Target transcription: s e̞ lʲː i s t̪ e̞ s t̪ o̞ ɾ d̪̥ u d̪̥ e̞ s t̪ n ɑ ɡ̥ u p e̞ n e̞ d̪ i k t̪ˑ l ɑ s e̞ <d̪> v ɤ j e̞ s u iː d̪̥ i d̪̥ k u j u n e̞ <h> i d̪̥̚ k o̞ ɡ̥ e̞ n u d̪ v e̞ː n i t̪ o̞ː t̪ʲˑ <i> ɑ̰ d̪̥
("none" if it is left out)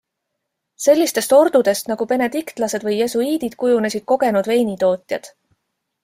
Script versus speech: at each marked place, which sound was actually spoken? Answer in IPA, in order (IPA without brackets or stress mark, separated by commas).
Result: d̪, s, j